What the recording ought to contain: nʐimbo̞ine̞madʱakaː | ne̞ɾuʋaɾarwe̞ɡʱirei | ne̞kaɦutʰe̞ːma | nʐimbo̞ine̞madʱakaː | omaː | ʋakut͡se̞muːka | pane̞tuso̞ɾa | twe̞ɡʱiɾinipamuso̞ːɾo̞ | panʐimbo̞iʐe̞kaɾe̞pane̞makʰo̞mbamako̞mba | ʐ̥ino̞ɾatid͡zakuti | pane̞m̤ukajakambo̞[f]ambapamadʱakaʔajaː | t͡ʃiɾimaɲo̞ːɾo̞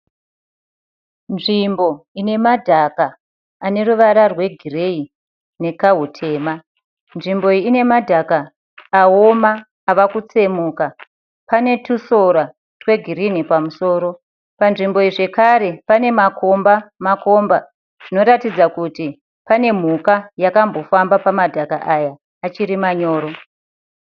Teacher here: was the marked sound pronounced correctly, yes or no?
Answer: yes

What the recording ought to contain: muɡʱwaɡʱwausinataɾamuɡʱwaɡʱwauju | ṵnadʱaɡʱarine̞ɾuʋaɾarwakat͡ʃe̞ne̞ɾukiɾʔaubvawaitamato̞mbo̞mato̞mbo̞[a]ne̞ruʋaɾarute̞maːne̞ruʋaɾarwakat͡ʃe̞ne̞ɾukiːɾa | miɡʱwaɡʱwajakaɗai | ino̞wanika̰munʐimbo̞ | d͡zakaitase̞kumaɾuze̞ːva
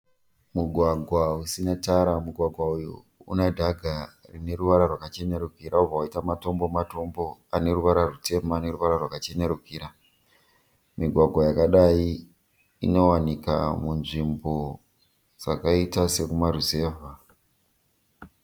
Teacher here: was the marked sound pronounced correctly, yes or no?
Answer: yes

